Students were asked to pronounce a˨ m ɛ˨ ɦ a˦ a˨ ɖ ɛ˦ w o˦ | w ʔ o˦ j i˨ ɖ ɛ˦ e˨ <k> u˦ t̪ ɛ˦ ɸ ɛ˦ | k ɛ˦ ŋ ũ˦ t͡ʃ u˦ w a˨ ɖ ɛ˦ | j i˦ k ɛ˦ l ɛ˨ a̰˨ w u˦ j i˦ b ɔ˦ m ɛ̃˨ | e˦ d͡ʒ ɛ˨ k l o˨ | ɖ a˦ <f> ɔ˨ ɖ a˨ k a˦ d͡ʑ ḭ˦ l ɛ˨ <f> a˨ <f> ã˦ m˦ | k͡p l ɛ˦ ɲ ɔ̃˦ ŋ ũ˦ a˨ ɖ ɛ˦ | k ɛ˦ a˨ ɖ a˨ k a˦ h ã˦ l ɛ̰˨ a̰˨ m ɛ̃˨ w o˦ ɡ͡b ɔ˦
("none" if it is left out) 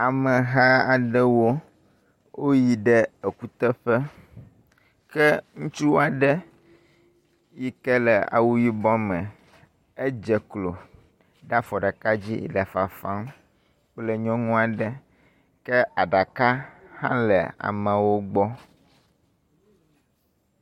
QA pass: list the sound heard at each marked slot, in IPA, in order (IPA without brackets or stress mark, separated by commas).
k, f, f, f